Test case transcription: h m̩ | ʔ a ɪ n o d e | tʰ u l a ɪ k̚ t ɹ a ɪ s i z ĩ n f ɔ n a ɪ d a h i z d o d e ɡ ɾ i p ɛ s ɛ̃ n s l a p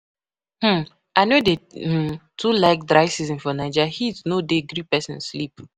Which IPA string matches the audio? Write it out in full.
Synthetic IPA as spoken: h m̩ | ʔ a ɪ n o d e | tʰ u l a ɪ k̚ d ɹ a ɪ s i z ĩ n f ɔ n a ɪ d͡ʒ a h i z n o d e ɡ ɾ i p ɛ s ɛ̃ n s l i p